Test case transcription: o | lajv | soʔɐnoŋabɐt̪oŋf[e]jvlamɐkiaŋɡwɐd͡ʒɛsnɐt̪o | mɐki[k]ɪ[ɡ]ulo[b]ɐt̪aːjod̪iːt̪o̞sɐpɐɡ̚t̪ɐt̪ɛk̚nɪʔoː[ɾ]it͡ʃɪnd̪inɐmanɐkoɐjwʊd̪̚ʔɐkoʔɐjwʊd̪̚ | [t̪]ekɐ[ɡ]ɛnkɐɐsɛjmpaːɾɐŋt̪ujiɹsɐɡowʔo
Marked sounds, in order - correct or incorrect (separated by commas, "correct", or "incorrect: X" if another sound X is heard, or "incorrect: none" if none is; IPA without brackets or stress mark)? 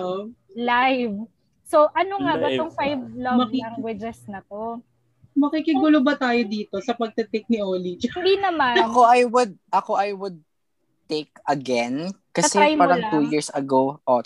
incorrect: a, correct, correct, correct, incorrect: l, correct, correct